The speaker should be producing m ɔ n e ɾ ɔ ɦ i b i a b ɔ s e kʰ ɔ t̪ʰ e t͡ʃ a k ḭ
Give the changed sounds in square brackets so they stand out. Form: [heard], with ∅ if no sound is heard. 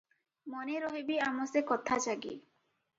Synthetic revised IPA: m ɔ n e ɾ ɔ ɦ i b i a [m] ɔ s e [k] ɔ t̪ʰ [a] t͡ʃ a [ɡ] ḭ